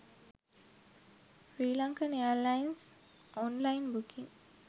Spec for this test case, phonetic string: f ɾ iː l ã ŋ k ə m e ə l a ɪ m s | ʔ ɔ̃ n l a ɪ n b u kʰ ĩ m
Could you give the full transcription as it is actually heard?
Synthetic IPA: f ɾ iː l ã ŋ k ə n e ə l a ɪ n s | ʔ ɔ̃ n l a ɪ n b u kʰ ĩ ŋ